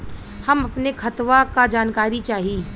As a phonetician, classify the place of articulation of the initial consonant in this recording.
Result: glottal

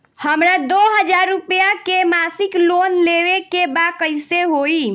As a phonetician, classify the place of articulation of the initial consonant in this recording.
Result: glottal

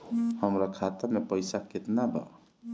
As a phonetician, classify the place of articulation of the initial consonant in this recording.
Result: glottal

